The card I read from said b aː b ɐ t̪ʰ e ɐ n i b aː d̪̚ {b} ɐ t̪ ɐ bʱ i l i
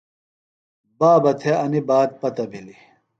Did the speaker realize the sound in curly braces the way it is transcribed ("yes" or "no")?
no